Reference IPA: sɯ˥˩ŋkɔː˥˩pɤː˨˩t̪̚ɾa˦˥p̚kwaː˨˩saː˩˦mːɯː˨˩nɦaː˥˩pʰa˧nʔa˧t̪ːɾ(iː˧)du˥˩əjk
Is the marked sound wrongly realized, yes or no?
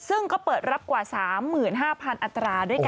yes